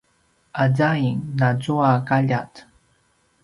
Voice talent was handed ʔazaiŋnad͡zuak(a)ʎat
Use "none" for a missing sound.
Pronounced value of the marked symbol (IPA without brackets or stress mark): a